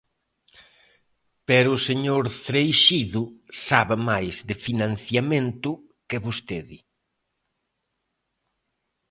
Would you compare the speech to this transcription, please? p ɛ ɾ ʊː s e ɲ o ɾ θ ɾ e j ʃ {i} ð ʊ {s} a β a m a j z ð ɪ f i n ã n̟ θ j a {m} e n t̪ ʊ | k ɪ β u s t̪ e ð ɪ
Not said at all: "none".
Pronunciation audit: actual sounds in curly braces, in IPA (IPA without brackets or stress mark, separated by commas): i, s, m